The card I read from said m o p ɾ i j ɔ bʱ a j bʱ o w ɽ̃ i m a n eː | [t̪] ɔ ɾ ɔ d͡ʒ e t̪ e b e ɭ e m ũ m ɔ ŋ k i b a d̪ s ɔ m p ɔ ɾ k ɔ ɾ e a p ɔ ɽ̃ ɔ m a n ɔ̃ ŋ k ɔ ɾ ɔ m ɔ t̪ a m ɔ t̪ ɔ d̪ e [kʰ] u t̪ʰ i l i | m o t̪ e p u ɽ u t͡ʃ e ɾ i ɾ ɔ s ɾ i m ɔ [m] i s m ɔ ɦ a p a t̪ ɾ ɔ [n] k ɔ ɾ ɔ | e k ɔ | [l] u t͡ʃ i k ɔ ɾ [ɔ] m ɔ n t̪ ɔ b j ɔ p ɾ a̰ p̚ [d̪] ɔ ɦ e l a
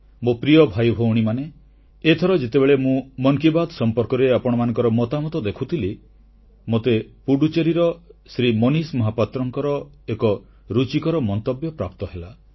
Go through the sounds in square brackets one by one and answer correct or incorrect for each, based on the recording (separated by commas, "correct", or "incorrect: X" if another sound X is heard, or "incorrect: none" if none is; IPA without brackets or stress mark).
incorrect: t̪ʰ, correct, incorrect: n, incorrect: ŋ, incorrect: ɾ, correct, incorrect: t̪